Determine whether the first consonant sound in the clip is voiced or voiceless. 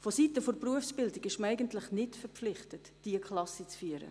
voiceless